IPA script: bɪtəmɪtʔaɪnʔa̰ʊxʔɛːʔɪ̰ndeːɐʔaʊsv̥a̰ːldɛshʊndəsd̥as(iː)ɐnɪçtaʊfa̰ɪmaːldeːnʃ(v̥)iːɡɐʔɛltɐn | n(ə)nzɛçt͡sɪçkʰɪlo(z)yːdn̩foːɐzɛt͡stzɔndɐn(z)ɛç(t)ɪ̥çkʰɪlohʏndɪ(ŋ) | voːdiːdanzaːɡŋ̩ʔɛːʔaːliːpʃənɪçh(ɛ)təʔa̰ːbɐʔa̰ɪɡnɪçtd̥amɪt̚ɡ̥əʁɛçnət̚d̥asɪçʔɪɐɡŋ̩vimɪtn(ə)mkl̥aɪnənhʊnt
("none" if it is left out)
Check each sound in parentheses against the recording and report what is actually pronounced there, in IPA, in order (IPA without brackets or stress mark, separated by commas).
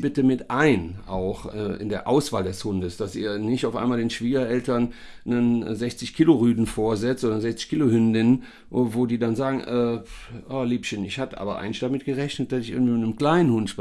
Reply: iː, v̥, ə, ʁ, z, t͡s, n, a, ə